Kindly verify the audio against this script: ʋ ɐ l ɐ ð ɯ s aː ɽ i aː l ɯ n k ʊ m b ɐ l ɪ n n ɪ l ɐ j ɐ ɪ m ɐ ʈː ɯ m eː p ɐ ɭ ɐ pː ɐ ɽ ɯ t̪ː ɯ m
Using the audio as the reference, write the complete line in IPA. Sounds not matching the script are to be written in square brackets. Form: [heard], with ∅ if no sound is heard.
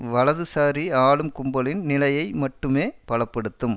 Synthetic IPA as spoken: ʋ ɐ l ɐ ð ɯ s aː [ɾ] i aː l ɯ [m] k ʊ m b ɐ l ɪ n n ɪ l ɐ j ɐ ɪ m ɐ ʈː ɯ m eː p ɐ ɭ ɐ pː ɐ ɽ ɯ t̪ː ɯ m